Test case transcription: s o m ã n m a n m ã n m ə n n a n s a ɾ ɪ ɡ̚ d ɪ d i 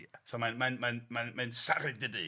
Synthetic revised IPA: s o m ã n m a n m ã n m a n m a n s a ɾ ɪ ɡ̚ d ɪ d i